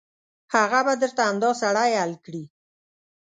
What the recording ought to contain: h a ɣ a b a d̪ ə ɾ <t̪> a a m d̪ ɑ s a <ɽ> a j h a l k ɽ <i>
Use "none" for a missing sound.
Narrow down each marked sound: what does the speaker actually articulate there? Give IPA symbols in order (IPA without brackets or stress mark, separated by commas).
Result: t̪, ɽ, i